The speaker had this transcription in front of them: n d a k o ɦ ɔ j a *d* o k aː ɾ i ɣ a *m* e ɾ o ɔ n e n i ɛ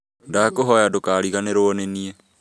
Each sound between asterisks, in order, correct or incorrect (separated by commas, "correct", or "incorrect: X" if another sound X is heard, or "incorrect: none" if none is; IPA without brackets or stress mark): correct, incorrect: n